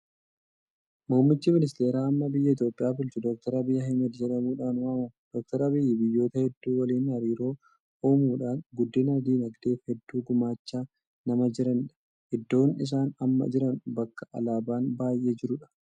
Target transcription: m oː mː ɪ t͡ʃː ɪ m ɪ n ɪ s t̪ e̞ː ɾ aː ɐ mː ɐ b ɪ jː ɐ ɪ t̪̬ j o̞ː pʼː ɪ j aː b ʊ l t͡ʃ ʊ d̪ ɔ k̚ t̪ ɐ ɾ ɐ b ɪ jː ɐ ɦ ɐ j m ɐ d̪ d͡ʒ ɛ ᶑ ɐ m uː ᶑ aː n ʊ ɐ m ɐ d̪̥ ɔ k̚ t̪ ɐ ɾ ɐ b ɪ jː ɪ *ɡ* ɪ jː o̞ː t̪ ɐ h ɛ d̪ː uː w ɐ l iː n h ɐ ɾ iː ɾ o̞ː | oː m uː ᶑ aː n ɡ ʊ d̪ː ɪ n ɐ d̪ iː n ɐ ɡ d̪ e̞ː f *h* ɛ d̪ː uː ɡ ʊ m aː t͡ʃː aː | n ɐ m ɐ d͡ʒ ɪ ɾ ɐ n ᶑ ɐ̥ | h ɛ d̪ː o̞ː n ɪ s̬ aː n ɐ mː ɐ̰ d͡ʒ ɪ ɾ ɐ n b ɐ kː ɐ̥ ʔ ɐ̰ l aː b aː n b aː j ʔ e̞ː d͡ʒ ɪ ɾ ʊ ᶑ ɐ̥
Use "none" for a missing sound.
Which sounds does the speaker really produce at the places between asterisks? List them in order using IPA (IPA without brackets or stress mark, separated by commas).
b, h